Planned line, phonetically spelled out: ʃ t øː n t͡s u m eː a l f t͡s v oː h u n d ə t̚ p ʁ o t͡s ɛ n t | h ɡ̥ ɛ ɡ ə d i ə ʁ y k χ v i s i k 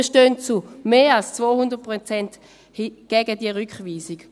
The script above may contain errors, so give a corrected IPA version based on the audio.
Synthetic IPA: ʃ t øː n t͡s u m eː a l s t͡s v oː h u n d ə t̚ p ʁ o t͡s ɛ n t | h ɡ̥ ɛ ɡ ə d i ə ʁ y k χ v iː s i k